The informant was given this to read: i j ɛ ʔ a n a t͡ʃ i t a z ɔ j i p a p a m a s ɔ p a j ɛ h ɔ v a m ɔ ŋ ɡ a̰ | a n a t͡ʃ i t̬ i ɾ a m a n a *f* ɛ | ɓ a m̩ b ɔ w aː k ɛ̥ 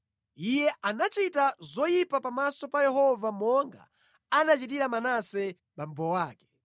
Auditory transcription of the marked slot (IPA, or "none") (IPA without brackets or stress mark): s